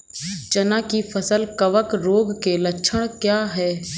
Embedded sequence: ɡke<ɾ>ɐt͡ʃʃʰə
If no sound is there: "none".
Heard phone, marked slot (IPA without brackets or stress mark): l